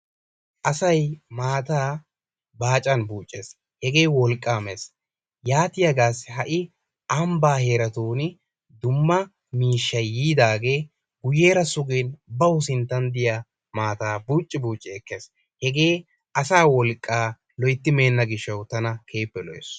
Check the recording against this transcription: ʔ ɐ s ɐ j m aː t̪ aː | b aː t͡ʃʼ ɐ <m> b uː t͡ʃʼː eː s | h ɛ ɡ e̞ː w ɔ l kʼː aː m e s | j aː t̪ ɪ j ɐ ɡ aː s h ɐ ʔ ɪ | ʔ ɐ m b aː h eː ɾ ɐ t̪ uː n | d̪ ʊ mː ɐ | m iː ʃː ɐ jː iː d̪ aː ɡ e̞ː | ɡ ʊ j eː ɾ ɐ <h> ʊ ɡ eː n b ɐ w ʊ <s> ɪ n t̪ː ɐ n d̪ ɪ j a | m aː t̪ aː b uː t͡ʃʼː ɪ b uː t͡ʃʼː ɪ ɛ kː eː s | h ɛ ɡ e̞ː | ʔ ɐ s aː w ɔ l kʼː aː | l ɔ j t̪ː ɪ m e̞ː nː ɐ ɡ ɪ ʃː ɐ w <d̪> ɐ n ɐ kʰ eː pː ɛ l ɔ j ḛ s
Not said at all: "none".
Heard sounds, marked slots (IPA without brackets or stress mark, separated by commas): n, s, s, t̪